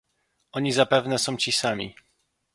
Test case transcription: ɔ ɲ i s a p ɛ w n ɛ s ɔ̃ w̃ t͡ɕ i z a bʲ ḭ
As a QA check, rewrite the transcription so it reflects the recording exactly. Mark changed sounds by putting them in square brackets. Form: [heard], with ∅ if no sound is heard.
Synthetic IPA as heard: ɔ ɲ i [z] a p ɛ [v] n ɛ s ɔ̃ w̃ t͡ɕ i [s] a [mʲ] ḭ